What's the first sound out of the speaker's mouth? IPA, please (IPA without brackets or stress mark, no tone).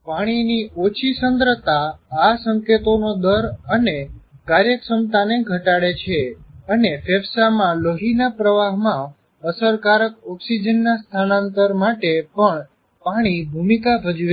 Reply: p